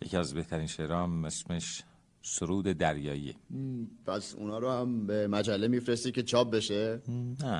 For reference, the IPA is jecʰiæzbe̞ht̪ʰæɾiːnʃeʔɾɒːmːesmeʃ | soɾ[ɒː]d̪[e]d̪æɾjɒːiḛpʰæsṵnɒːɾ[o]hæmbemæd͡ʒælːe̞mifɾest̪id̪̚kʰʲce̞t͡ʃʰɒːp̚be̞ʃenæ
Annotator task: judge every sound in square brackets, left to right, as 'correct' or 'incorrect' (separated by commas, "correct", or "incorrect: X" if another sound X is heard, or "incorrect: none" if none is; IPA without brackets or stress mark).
incorrect: uː, correct, correct